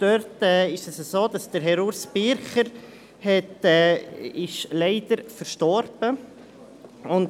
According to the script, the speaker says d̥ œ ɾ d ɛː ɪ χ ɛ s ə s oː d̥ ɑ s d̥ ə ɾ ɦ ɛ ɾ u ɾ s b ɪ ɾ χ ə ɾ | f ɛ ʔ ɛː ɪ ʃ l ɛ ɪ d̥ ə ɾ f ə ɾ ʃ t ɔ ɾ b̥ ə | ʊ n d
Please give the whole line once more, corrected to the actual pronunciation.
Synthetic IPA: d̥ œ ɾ t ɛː ɪ ʃ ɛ s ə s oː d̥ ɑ s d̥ ə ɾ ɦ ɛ ɾ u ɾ s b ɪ ɾ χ ə ɾ | h ɛ t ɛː ɪ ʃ l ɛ ɪ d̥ ə ɾ f ə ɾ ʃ t ɔ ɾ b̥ ə | ʊ n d